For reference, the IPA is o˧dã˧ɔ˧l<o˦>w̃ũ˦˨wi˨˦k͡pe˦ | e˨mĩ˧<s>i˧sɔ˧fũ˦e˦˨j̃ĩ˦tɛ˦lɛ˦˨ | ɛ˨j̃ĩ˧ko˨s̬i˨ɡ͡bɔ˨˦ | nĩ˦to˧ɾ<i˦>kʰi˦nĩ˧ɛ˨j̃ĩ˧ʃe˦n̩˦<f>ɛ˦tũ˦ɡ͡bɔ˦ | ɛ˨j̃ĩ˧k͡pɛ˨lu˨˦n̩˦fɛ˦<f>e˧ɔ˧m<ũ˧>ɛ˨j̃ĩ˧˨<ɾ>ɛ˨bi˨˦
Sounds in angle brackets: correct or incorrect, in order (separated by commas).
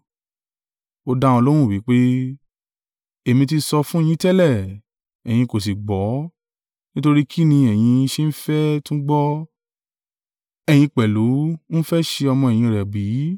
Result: correct, incorrect, correct, correct, incorrect, incorrect, correct